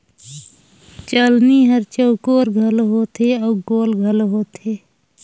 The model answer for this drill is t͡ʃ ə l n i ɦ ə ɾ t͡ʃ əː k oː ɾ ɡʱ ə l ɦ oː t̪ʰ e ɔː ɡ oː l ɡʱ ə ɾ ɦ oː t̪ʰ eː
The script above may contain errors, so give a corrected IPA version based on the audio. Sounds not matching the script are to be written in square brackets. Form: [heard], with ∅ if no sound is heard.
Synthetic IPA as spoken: t͡ʃ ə l n i ɦ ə ɾ t͡ʃ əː k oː ɾ ɡʱ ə l ɦ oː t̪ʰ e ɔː ɡ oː l ɡʱ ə [l] ɦ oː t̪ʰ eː